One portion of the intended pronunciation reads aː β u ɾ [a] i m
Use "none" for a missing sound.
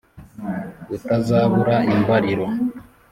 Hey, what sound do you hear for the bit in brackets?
a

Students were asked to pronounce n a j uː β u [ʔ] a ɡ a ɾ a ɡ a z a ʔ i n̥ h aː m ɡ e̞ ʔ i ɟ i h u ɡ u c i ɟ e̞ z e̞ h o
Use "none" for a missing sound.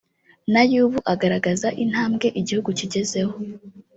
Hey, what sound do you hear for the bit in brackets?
ʔ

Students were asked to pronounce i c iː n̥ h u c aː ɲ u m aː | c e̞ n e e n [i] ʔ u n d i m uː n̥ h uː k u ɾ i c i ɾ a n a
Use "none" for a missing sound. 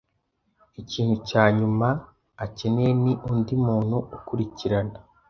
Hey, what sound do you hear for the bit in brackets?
i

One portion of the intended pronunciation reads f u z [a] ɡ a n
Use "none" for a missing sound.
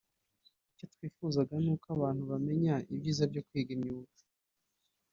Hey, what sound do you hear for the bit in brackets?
a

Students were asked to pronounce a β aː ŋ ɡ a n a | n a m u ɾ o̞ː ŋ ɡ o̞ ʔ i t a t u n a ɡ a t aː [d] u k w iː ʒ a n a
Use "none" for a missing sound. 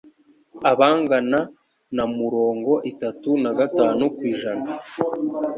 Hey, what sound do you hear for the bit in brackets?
n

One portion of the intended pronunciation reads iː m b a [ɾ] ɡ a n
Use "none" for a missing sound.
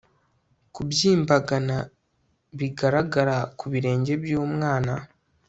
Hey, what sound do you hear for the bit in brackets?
none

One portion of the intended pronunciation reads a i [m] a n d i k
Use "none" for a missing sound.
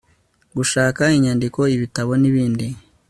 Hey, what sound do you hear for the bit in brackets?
ɲ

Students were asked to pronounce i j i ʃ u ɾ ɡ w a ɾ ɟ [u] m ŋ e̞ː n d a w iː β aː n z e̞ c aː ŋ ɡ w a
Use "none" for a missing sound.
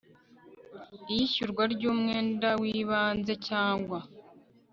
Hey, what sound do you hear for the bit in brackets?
uː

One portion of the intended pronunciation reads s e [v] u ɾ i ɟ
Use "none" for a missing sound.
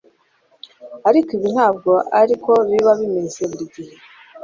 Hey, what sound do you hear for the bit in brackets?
β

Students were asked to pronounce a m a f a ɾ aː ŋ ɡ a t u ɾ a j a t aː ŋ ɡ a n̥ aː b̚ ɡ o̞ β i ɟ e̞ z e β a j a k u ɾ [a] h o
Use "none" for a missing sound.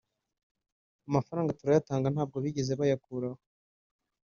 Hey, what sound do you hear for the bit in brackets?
a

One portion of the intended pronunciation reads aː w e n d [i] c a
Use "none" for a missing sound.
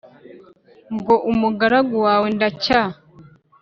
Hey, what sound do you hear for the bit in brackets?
a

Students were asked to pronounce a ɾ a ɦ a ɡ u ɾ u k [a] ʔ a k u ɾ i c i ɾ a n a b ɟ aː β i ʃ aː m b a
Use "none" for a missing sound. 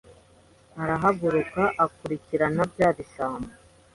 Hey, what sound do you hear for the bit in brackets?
a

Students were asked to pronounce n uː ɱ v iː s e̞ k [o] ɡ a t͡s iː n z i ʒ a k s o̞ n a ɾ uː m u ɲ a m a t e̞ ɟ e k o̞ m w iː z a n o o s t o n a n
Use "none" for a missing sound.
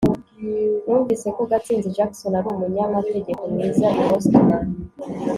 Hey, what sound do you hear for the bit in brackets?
o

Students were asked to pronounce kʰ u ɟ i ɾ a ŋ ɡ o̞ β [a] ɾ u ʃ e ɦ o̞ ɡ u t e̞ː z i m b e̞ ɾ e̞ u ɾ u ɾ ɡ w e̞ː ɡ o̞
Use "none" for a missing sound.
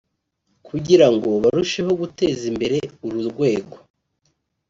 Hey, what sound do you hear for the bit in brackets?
a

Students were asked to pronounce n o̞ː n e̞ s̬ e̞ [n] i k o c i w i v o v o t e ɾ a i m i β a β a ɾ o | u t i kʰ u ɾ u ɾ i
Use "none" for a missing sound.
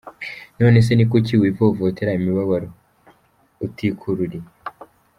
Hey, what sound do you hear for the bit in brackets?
n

